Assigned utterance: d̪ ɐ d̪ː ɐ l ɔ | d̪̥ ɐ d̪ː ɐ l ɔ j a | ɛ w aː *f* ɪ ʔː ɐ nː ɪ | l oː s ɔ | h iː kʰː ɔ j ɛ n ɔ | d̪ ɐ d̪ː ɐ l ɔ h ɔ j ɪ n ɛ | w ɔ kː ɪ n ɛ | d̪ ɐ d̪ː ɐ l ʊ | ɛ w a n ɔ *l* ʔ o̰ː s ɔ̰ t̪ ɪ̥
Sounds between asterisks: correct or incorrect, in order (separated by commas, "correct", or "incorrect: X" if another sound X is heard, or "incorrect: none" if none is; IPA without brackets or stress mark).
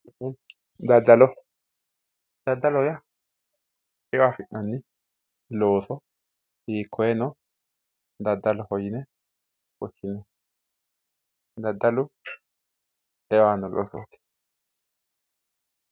correct, correct